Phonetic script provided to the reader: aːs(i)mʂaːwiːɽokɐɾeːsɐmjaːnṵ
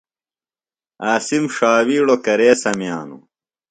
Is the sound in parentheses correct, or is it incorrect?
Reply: correct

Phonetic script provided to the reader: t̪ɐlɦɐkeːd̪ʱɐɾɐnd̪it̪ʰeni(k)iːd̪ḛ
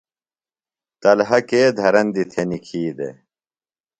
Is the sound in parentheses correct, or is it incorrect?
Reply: incorrect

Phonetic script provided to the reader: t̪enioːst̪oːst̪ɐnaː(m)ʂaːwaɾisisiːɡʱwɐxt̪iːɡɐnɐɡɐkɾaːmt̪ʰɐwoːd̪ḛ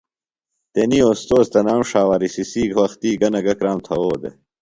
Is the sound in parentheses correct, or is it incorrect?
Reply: correct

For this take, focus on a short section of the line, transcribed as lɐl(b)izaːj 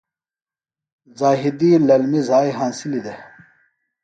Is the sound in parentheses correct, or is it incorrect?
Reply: incorrect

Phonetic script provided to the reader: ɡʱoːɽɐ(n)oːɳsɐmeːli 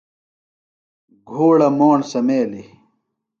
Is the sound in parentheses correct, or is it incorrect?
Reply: incorrect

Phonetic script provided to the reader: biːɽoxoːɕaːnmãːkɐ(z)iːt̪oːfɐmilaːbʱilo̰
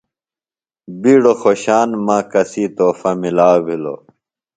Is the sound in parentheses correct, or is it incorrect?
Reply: incorrect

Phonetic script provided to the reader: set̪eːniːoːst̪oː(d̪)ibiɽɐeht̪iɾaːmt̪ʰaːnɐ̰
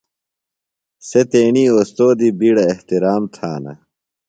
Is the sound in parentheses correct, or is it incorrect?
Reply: correct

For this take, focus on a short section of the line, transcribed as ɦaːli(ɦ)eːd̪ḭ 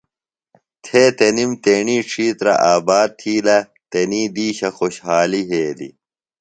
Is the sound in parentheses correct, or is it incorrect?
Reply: correct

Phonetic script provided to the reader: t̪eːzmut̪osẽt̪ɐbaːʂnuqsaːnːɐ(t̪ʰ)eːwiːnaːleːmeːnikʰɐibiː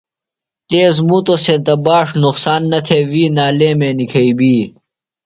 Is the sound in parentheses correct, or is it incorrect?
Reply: correct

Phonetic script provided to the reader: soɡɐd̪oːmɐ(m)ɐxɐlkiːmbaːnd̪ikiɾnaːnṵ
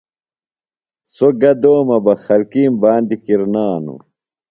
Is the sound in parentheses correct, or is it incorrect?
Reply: incorrect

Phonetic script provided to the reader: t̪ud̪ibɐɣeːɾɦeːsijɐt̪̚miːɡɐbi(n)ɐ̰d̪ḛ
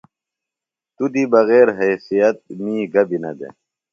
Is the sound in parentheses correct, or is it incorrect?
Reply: correct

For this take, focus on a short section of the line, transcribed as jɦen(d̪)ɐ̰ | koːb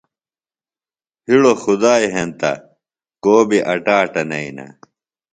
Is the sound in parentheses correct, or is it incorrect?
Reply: incorrect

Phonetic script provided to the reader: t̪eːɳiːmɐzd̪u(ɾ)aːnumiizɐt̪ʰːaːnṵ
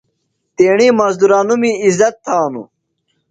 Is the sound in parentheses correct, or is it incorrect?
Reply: correct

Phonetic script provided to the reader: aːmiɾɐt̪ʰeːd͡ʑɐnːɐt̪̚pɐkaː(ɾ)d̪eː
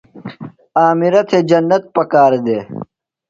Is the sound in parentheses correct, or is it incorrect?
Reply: correct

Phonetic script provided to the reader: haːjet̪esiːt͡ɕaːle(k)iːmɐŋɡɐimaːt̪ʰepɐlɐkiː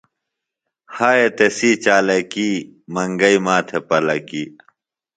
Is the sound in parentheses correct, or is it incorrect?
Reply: correct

